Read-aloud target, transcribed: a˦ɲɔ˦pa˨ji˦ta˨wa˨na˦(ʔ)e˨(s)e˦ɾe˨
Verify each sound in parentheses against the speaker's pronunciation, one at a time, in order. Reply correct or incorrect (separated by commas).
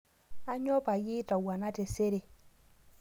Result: incorrect, correct